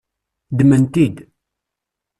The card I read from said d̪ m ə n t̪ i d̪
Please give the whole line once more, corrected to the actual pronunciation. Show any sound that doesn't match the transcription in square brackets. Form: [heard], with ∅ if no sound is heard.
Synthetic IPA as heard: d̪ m ə n t̪ i d̪